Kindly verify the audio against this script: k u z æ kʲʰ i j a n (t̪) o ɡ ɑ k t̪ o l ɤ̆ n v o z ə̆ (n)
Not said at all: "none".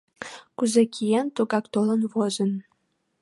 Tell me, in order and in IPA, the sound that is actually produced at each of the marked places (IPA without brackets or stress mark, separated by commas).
t̪, n